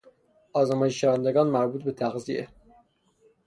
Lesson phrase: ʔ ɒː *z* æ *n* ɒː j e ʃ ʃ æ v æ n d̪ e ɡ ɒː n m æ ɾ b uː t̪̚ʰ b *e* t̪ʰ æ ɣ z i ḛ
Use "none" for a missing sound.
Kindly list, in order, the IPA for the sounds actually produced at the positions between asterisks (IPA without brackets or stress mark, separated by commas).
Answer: z, m, e